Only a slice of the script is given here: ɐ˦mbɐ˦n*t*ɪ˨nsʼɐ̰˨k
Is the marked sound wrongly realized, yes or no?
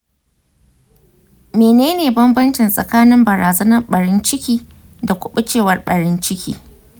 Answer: yes